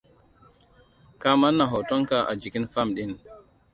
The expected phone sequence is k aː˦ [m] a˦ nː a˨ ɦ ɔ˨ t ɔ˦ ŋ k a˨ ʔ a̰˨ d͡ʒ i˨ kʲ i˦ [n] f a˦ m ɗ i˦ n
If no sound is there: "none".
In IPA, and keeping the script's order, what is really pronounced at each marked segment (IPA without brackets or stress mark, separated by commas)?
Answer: m, n